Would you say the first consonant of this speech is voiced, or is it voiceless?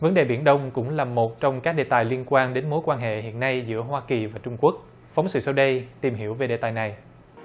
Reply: voiced